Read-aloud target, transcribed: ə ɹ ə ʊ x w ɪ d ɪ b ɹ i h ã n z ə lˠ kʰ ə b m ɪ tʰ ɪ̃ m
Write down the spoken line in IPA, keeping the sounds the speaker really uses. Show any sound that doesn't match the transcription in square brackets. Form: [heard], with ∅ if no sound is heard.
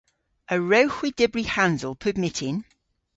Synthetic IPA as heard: ə ɹ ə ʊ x w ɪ d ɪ b ɹ i h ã n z ə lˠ [pʰ] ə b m ɪ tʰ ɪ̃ [n]